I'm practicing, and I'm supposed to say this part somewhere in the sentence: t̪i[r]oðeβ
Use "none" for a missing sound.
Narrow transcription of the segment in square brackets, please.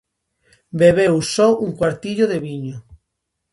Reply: ʎ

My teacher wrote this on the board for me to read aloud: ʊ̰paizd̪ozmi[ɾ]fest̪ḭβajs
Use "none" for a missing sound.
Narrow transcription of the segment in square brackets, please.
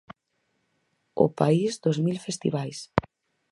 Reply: l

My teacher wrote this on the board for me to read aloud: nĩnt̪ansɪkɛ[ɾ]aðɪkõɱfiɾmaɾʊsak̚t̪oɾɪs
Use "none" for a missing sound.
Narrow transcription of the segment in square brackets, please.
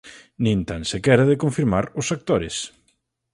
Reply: ɾ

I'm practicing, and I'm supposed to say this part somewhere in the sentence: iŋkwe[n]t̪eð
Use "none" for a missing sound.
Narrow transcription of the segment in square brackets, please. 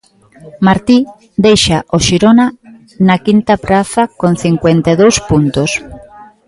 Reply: n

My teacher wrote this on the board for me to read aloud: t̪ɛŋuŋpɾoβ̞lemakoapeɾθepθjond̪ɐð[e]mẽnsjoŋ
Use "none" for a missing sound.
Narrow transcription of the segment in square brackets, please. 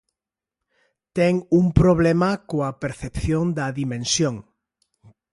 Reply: i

